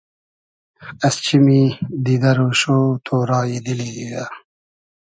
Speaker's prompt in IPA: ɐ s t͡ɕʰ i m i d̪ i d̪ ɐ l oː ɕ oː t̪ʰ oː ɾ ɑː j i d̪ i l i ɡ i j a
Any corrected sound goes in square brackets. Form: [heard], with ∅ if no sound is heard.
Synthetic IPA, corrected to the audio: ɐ s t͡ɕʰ i m i d̪ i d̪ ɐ [ɾ] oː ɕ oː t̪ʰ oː ɾ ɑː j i d̪ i l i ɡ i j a